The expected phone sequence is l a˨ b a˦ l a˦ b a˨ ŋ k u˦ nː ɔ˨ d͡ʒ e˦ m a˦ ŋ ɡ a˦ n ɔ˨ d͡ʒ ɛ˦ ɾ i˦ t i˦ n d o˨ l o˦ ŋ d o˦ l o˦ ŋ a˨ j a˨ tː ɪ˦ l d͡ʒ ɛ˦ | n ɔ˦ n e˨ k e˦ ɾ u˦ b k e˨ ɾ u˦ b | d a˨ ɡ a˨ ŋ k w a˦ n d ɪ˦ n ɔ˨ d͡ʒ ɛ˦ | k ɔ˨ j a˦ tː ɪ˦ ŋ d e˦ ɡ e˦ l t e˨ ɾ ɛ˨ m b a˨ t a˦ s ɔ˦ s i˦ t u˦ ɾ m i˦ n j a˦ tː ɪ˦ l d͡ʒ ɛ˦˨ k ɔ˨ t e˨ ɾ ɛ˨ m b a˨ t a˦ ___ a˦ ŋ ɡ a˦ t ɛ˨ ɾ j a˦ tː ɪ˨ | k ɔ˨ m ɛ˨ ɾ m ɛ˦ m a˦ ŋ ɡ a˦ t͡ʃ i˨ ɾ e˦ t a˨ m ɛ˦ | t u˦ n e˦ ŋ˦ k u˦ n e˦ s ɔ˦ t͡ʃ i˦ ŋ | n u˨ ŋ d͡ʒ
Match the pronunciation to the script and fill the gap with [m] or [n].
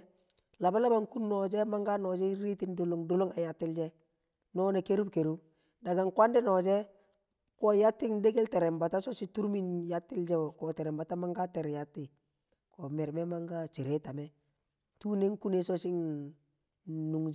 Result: m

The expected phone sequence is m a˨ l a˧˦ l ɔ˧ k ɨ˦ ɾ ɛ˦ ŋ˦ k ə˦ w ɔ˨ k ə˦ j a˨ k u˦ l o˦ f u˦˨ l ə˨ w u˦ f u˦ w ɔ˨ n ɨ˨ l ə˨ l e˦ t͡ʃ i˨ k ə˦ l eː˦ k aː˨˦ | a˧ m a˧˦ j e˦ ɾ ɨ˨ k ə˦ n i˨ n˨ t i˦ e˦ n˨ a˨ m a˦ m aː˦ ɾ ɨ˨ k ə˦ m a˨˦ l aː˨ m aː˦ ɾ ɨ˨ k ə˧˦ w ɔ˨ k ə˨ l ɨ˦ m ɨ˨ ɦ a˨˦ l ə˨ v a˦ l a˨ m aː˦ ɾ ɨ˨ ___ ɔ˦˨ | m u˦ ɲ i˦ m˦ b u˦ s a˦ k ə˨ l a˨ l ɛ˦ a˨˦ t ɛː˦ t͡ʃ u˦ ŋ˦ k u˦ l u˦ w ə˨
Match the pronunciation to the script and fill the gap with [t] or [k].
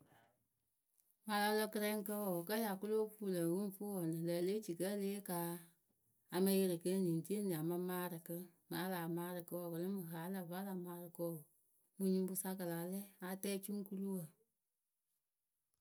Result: k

